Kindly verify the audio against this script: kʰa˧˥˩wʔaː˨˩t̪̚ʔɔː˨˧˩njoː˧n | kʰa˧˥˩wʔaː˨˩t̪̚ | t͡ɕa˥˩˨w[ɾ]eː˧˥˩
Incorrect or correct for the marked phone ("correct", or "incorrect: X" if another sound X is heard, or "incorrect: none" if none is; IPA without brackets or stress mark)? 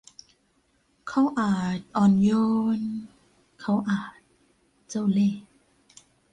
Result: incorrect: l